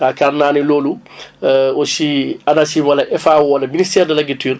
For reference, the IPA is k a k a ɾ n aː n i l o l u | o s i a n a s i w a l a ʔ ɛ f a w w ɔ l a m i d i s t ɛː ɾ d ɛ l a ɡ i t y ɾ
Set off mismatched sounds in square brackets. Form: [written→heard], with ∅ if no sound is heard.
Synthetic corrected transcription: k a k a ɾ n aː n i l o l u | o s i a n a s i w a l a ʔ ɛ f a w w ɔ l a m i [d→n] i s t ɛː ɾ d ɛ l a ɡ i t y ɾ